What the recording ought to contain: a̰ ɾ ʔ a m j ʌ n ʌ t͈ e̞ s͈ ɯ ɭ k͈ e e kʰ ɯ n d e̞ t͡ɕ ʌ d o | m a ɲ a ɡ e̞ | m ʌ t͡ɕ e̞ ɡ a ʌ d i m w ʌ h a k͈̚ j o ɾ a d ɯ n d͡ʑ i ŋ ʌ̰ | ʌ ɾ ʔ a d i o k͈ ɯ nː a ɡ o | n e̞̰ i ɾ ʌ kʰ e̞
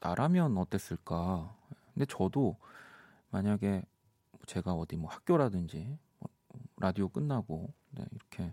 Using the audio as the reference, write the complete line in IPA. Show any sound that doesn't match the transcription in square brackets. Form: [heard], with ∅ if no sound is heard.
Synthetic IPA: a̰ ɾ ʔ a m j ʌ n ʌ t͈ e̞ s͈ ɯ ɭ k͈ [a] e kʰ ɯ n d e̞ t͡ɕ ʌ d o | m a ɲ a ɡ e̞ | m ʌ t͡ɕ e̞ ɡ a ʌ d i m w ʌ h a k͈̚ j o ɾ a d ɯ n d͡ʑ i [m] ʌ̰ | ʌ ɾ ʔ a d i o k͈ ɯ nː a ɡ o | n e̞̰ i ɾ ʌ kʰ e̞